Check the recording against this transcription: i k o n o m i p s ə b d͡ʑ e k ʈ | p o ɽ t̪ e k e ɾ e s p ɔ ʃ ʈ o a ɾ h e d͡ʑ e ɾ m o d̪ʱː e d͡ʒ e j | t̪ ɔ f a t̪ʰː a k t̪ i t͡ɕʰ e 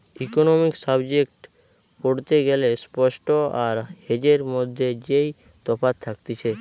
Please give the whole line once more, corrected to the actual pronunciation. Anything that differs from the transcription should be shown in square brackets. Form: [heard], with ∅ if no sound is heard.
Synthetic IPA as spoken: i k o n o m i [k] s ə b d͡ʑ e k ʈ | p o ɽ t̪ e [ɡ] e [l] e s p ɔ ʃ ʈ o a ɾ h e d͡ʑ e ɾ m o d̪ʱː e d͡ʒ e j | t̪ ɔ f a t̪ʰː a k t̪ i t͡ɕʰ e

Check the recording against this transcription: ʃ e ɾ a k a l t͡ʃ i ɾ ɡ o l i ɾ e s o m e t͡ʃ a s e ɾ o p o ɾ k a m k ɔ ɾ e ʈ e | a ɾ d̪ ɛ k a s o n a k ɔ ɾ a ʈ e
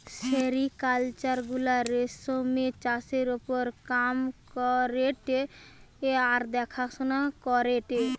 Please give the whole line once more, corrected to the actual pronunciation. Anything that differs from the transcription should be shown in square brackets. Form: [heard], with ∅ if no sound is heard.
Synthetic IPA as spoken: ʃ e ɾ [i] k a l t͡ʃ [a] ɾ ɡ [u] l [a] ɾ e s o m e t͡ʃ a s e ɾ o p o ɾ k a m k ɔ ɾ e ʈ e | a ɾ d̪ ɛ [kʰ] a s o n a k ɔ ɾ [e] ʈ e

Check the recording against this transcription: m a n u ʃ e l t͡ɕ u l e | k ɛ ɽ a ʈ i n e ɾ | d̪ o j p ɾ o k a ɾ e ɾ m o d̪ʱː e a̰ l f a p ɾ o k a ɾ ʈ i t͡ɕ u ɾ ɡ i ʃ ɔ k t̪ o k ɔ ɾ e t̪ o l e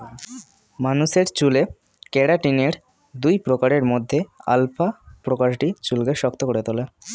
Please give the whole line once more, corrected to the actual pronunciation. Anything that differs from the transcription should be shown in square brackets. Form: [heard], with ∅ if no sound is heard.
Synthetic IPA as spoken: m a n u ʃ e [ɾ] t͡ɕ u l e | k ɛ ɽ a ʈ i n e ɾ | d̪ [u] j p ɾ o k a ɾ e ɾ m o d̪ʱː e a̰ l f a p ɾ o k a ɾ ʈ i t͡ɕ u [l] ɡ [e] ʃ ɔ k t̪ o k [o] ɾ e t̪ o l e

